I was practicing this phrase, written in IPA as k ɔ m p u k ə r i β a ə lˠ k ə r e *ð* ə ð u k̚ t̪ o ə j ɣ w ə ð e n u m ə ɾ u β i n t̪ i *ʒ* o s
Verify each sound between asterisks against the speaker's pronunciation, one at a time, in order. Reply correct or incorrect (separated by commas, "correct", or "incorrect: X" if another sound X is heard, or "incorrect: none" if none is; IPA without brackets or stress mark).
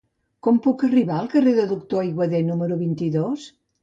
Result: correct, incorrect: ð